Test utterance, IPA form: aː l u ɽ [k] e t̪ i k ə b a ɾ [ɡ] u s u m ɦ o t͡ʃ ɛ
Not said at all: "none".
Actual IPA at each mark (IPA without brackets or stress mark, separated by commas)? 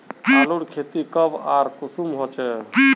kʰ, k